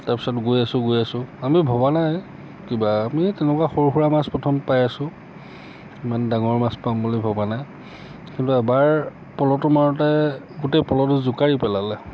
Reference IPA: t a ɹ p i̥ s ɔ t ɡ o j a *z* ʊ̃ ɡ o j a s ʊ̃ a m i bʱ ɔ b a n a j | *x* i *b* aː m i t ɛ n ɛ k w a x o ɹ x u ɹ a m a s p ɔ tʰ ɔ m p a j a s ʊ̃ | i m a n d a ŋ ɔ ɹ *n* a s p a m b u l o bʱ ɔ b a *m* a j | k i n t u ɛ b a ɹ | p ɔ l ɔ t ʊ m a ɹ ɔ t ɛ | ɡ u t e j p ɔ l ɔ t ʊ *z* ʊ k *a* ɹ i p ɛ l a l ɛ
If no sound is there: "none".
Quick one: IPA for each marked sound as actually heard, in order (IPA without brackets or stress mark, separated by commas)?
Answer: s, k, b, m, n, z, a